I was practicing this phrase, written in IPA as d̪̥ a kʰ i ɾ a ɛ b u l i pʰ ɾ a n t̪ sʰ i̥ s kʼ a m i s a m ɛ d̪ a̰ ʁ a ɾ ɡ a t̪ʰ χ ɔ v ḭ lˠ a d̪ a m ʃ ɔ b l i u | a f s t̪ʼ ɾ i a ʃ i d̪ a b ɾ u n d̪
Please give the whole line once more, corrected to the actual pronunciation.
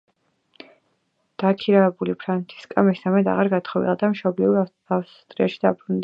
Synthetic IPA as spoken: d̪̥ a kʰ i ɾ a ɛ b u l i pʰ ɾ a n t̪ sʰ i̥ s kʼ a m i s a m ɛ d̪ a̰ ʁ a ɾ ɡ a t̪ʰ χ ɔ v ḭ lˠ a d̪ a m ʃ ɔ b l i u | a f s t̪ʼ ɾ i a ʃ i d̪ a b ɾ u n d̪